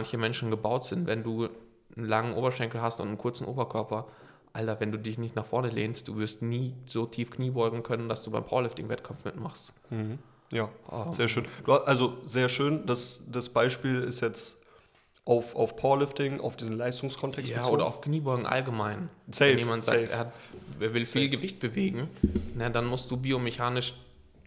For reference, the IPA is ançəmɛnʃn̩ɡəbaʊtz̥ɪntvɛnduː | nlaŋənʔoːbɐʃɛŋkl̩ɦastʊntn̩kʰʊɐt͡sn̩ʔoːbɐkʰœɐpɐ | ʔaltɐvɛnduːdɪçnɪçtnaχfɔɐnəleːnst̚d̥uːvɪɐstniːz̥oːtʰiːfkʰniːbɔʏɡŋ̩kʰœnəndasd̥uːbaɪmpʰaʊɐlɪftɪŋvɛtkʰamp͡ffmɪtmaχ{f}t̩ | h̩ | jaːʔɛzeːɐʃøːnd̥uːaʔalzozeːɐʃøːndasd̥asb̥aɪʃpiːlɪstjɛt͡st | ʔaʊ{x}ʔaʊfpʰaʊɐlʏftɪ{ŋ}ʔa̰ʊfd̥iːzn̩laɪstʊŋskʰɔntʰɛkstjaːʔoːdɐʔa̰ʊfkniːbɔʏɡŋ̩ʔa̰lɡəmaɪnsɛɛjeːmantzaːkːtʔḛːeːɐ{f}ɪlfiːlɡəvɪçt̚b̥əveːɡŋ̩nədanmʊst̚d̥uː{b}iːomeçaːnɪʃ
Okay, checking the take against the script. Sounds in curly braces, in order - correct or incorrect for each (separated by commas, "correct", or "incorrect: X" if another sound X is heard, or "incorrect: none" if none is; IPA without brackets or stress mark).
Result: incorrect: s, incorrect: f, correct, incorrect: v, correct